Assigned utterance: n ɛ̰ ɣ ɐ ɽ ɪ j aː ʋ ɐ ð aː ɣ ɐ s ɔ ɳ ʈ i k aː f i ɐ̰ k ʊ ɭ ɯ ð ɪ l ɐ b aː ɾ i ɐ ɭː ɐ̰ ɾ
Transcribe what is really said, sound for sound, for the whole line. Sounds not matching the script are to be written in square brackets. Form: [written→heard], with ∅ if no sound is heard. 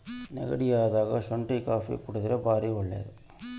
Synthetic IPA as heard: n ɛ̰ ɣ ɐ ɽ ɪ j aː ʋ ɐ ð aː ɣ ɐ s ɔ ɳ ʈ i k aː f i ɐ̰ k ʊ [ɭ→ɽ] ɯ ð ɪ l ɐ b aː ɾ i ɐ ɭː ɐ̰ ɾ